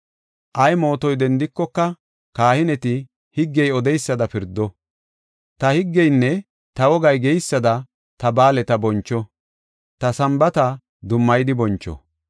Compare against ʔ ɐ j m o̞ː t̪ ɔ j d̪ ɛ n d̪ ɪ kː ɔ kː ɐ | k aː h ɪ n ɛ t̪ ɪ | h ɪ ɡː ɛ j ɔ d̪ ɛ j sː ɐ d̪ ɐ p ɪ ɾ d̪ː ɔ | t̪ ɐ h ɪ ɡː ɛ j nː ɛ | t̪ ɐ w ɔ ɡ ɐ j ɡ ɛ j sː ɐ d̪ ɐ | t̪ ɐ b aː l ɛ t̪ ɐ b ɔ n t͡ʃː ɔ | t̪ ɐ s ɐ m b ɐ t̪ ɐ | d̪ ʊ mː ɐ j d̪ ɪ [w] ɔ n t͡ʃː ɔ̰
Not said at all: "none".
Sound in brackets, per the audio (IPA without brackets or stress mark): b